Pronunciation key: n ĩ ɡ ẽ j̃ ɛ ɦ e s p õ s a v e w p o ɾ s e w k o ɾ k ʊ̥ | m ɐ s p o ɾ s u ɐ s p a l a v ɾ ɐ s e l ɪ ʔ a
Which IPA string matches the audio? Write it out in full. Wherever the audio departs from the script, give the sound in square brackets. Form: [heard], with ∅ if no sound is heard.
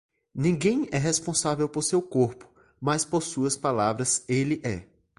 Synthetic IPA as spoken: n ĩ ɡ ẽ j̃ ɛ ɦ e s p õ s a v e w p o ɾ s e w k o ɾ [p] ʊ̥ | m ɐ s p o ɾ s u ɐ s p a l a v ɾ ɐ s e l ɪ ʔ [ɛ]

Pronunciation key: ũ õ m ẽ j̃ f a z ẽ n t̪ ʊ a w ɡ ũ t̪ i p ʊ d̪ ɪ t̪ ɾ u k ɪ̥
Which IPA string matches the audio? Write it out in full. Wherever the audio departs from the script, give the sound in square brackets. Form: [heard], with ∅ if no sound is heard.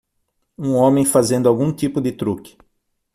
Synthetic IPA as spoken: ũ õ m ẽ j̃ f a z ẽ n [d̪] ʊ a w ɡ ũ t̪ i p ʊ d̪ ɪ t̪ ɾ u k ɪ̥

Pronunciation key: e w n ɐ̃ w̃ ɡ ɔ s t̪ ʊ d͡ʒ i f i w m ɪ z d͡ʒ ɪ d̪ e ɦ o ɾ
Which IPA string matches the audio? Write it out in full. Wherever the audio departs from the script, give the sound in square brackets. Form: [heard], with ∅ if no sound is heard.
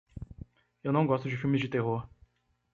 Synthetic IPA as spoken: e w n ɐ̃ w̃ ɡ ɔ s t̪ ʊ d͡ʒ [ɪ] f i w m ɪ z d͡ʒ ɪ [t̪] e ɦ o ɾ

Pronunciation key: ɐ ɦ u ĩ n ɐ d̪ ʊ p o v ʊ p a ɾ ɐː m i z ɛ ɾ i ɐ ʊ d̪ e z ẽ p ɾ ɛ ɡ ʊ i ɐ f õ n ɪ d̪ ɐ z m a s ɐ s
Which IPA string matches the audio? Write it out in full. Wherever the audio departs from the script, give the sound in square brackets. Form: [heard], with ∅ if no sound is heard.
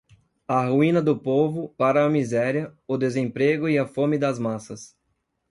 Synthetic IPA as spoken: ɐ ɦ u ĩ n ɐ d̪ ʊ p o v ʊ p a ɾ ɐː m i z ɛ ɾ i ɐ ʊ d̪ e z ẽ p ɾ [e] ɡ ʊ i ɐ f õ [m] ɪ d̪ ɐ z m a s ɐ s

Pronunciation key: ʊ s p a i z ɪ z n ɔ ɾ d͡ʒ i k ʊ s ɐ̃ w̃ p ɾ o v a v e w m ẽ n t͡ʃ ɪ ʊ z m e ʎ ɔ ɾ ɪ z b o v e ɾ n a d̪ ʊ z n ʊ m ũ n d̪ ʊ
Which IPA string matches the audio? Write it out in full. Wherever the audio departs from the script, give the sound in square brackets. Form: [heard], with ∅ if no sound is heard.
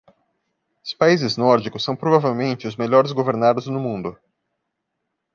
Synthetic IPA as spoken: ʊ s p a i z ɪ z n ɔ ɾ d͡ʒ i k ʊ s ɐ̃ w̃ p ɾ o v a v e w m ẽ n t͡ʃ ɪ ʊ z m e ʎ ɔ ɾ ɪ z [ɡ] o v e ɾ n a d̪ ʊ z n ʊ m ũ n d̪ ʊ

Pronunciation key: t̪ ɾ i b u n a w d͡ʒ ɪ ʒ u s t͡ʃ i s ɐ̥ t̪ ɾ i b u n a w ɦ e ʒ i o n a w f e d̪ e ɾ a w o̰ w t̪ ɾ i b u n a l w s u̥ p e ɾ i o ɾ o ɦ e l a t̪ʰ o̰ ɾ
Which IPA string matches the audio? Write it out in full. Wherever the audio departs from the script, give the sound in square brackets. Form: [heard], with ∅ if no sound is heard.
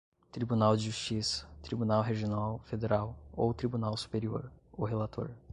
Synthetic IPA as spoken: t̪ ɾ i b u n a w d͡ʒ ɪ ʒ u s t͡ʃ i s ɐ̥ t̪ ɾ i b u n a w ɦ e ʒ i o n a w f e d̪ e ɾ a w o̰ w t̪ ɾ i b u n a [∅] w s u̥ p e ɾ i o ɾ o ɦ e l a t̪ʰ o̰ ɾ

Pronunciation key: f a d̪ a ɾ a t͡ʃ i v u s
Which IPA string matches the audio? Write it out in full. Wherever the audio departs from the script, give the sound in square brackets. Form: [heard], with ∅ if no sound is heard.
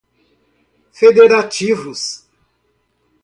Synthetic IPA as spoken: f [e] d̪ [e] ɾ a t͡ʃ i v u s

